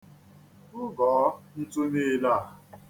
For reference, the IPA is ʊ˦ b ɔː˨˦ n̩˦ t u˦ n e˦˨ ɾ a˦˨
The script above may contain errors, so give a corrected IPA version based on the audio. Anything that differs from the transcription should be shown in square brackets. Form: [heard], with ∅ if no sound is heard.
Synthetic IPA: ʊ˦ [ɡ] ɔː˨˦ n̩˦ t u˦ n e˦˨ [l] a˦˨

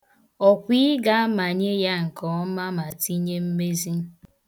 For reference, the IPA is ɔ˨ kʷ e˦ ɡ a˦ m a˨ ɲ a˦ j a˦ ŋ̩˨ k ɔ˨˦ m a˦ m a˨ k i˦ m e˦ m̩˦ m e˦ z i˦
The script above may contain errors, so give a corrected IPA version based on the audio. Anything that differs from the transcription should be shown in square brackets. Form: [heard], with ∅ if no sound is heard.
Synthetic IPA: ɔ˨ kʷ [i˦] ɡ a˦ m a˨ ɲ [e˦] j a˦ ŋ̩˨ k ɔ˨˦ m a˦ m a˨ [t] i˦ [ɲ] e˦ m̩˦ m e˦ z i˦

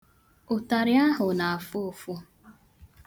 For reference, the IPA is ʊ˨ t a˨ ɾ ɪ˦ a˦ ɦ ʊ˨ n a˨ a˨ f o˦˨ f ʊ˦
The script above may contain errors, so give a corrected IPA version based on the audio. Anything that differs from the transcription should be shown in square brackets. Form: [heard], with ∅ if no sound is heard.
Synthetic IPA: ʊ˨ t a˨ ɾ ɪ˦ a˦ ɦ ʊ˨ n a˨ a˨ f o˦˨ f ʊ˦

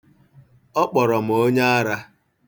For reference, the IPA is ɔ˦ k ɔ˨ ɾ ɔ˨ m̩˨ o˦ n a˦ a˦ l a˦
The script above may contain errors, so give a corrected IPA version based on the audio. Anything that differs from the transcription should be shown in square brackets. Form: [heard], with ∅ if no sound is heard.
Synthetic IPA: ɔ˦ [k͡p] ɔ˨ ɾ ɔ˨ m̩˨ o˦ [ɲ] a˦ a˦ [ɾ] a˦

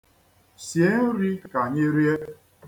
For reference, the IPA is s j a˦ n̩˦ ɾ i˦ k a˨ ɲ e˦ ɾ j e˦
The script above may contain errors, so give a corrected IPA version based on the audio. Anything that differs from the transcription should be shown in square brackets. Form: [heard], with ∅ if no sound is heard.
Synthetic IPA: s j [e˦] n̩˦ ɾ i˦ k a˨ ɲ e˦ ɾ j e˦

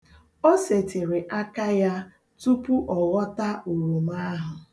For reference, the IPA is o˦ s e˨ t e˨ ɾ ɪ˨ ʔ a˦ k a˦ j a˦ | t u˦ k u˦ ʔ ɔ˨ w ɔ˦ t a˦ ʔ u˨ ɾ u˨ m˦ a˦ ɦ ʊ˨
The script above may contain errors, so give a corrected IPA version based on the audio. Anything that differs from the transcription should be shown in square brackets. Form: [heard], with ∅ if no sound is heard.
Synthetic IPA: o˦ s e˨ t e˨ ɾ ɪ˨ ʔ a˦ k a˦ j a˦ | t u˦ [p] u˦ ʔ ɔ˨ [ɣ] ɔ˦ t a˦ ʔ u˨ ɾ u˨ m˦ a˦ ɦ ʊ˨

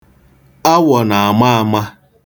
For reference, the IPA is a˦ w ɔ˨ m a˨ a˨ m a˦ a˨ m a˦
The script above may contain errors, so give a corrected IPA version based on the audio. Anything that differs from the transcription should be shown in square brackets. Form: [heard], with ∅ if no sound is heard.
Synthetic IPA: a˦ w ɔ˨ [n] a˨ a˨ m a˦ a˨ m a˦

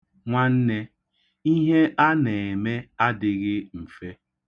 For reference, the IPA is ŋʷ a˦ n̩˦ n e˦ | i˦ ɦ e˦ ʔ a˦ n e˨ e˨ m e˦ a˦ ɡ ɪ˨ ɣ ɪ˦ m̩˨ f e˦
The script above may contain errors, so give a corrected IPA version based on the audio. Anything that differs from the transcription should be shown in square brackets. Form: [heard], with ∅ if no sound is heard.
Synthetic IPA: ŋʷ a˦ n̩˦ n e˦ | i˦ ɦ e˦ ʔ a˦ n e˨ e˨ m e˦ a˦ [d] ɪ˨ ɣ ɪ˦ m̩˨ f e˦

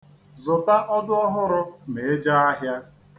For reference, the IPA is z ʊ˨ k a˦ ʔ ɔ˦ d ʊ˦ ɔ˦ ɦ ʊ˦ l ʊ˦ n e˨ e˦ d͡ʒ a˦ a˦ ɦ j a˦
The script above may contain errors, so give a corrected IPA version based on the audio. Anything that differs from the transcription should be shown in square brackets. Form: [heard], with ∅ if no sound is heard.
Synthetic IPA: z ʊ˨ [t] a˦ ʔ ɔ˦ d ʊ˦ ɔ˦ ɦ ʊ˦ [ɾ] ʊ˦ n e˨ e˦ d͡ʒ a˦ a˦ ɦ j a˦

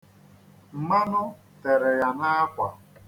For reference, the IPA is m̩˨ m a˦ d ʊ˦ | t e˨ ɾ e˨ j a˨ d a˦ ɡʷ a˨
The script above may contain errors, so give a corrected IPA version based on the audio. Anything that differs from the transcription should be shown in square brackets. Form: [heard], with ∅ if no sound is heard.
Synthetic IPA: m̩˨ m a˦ [n] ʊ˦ | t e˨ ɾ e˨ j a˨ [n] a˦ [kʷ] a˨

